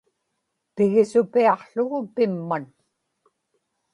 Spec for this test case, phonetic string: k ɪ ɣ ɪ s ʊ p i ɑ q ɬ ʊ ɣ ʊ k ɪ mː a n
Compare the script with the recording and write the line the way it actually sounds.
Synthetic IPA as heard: p ɪ ɣ ɪ s ʊ p i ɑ q ɬ ʊ ɣ ʊ p ɪ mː a n